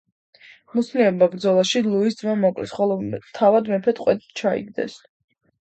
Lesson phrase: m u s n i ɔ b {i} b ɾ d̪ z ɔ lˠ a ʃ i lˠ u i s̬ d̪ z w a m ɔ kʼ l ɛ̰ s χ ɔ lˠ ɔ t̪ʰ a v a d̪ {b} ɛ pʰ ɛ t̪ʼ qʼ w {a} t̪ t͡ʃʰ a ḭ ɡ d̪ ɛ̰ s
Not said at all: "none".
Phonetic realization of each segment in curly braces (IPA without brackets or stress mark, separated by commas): a, m, ɛ